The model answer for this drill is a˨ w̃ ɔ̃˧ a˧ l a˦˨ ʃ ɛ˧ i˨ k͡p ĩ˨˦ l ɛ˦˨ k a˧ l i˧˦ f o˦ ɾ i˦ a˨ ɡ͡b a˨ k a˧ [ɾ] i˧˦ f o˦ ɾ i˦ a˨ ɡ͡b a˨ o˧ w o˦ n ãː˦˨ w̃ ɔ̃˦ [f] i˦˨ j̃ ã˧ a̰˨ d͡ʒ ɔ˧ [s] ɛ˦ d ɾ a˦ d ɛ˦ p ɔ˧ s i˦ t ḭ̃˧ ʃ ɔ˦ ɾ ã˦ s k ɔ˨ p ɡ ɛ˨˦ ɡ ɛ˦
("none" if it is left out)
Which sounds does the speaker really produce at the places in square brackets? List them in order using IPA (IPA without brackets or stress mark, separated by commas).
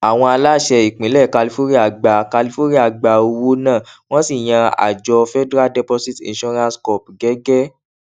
l, s, f